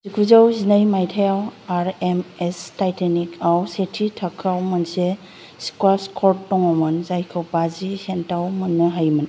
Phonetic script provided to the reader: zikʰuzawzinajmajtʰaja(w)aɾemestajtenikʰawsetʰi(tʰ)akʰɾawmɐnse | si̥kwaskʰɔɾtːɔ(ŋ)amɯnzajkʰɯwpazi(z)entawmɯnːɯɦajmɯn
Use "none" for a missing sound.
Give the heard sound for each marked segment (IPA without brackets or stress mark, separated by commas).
w, tʰ, ŋ, s